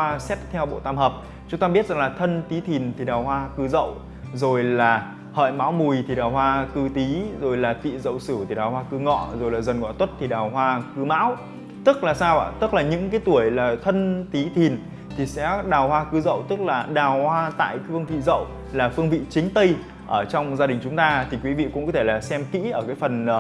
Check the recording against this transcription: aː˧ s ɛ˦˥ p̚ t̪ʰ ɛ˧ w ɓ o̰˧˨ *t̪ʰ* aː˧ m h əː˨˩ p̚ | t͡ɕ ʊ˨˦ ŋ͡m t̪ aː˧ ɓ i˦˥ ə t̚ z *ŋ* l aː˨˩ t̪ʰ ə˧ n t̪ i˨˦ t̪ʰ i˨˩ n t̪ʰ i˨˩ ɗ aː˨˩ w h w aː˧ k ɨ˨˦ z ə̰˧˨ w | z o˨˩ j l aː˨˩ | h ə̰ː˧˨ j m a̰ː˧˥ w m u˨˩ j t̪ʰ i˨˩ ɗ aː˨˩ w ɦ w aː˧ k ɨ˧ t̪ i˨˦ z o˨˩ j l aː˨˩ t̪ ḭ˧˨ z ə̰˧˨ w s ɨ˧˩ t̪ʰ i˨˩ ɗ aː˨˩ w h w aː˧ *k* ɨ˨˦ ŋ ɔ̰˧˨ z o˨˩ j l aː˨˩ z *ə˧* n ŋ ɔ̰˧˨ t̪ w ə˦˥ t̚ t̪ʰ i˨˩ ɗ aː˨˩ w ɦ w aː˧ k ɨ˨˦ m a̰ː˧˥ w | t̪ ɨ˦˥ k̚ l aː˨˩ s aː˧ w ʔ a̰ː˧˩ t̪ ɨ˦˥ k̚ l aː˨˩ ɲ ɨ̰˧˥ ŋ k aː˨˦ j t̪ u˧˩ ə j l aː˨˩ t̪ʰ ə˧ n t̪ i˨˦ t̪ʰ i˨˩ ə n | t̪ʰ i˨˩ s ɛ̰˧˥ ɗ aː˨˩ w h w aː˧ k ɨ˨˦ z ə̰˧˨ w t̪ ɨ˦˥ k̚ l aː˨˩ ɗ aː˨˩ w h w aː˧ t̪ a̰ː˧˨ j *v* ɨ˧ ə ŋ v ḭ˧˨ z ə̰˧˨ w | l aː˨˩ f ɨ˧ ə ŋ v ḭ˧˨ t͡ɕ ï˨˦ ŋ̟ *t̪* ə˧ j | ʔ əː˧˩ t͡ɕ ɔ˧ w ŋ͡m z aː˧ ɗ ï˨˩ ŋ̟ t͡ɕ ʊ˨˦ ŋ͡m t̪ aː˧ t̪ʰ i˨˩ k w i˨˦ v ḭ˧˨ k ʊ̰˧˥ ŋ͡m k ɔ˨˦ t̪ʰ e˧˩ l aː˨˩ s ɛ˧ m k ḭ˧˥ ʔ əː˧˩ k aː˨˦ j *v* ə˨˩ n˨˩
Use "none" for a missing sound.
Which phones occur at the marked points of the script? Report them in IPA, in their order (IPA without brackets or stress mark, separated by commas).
t̪, ŋ, k, ə˨˩, f, t̪, f